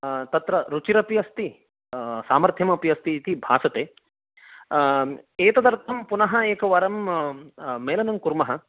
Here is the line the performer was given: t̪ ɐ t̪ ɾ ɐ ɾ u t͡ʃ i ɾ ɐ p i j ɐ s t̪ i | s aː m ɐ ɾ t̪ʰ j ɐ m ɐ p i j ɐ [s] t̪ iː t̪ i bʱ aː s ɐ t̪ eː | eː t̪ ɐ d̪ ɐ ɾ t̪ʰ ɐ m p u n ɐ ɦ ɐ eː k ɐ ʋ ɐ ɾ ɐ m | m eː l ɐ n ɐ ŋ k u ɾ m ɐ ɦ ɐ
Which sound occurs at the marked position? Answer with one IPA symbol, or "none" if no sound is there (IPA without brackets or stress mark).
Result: s